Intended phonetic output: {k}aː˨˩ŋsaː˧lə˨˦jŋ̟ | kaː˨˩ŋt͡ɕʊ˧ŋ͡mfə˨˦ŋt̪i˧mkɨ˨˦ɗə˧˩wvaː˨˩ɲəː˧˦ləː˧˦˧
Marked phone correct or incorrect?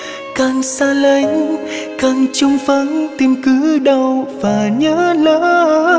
correct